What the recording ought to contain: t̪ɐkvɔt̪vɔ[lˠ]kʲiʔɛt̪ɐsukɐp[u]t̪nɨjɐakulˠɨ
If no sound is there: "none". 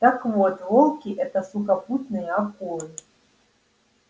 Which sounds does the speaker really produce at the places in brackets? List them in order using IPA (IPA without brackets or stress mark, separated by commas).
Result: lˠ, u